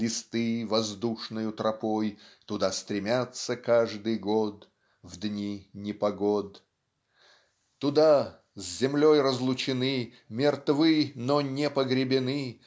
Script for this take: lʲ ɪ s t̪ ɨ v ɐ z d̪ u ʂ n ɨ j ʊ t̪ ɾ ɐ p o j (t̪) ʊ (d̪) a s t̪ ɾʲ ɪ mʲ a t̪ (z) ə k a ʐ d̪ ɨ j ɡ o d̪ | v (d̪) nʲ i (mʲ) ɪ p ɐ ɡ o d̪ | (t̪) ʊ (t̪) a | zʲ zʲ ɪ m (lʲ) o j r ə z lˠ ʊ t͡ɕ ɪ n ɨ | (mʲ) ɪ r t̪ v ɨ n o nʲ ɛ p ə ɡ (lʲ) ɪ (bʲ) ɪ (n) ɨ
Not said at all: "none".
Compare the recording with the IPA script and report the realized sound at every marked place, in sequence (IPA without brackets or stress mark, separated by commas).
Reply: t̪, d̪, s, d̪, nʲ, t̪, d̪, lʲ, mʲ, ɾʲ, bʲ, n